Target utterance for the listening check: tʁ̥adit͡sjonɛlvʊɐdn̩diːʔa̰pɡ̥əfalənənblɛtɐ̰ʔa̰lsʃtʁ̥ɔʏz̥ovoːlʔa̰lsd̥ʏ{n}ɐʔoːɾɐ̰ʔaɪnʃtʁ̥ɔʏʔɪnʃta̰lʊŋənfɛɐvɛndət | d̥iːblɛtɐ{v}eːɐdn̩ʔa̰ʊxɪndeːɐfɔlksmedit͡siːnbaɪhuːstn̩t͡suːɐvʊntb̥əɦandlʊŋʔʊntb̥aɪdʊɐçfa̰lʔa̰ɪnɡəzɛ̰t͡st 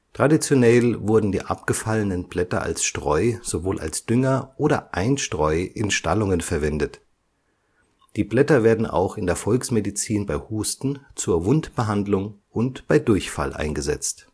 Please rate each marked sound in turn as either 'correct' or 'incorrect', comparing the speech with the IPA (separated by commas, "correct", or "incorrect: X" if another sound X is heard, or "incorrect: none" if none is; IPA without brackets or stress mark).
incorrect: ŋ, correct